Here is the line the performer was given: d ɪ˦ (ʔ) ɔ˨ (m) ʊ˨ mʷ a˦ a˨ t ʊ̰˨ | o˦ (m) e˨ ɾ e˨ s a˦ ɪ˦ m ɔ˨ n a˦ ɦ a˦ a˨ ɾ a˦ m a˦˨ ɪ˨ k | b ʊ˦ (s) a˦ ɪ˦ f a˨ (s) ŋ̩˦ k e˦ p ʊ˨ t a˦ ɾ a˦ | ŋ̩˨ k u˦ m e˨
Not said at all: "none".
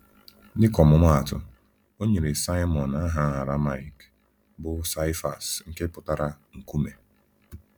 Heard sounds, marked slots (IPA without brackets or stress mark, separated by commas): k, m, ɲ, s, s